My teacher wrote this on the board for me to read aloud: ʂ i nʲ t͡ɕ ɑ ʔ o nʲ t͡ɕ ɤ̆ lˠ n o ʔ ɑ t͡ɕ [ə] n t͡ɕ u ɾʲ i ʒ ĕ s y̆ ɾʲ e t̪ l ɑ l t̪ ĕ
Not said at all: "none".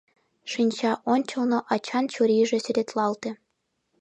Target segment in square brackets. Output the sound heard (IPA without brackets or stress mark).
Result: ɑ